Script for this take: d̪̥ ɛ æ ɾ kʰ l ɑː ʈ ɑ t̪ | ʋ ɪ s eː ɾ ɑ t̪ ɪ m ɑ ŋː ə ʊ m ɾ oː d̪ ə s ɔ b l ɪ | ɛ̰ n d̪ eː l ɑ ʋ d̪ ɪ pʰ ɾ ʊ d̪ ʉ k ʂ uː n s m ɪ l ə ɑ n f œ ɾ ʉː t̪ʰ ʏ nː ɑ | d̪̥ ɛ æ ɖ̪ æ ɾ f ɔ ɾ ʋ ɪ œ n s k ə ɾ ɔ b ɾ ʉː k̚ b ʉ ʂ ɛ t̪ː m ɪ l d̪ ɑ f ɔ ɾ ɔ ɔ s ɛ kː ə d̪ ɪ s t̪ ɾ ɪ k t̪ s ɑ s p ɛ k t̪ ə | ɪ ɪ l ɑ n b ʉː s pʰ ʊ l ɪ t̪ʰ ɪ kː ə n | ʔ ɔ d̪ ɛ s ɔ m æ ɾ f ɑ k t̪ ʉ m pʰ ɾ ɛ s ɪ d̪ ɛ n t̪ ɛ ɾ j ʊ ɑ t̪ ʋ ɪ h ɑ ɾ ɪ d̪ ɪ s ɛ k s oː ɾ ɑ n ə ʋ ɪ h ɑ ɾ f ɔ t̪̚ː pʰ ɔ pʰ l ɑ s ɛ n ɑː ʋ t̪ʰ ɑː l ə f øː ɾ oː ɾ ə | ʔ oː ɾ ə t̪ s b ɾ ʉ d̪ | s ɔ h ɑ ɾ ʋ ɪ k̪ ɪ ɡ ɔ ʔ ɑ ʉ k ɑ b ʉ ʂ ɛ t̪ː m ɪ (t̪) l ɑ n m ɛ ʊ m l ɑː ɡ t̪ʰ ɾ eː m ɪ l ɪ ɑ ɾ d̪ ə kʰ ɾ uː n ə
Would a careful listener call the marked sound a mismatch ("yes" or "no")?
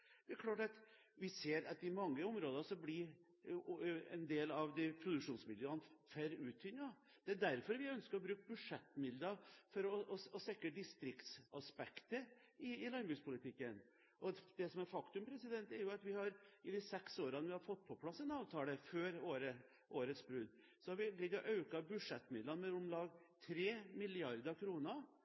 yes